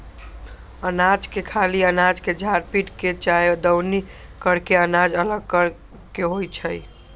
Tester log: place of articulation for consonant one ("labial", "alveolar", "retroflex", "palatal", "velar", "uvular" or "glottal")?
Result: alveolar